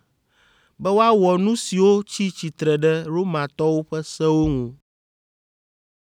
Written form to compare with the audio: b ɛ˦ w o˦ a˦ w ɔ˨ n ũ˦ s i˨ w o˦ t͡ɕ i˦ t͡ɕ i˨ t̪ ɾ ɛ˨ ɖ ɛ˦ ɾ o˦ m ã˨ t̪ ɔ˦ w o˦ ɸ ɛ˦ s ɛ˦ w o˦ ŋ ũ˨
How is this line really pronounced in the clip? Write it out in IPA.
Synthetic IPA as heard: b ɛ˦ w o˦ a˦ w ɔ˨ n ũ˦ s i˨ w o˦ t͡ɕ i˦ t͡ɕ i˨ t̪ ɾ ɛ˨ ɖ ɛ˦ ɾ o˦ m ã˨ t̪ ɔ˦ w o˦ ɸ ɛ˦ s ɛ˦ w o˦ ŋ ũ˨